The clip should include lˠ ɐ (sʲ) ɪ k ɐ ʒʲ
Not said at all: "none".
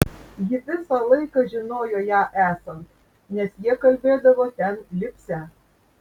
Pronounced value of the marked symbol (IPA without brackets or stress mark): none